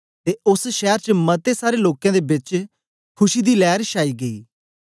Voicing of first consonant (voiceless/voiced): voiceless